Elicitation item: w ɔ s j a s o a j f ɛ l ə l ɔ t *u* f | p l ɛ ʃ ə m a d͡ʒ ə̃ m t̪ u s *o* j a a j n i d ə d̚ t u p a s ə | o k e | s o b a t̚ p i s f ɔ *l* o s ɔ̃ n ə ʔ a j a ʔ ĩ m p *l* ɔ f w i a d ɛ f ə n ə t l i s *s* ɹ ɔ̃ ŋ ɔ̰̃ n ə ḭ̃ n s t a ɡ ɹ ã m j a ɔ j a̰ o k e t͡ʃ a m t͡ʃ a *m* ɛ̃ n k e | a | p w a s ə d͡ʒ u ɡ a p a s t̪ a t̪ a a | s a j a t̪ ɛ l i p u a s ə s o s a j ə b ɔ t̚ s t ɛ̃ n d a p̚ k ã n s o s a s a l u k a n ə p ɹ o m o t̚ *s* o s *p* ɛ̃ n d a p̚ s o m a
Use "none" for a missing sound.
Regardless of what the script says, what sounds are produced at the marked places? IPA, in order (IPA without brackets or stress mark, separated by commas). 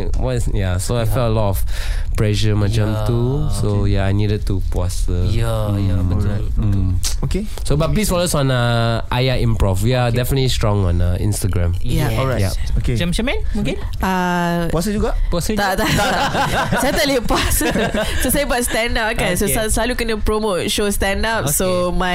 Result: ɔ, o, l, ɹ, t, m, ʃ, t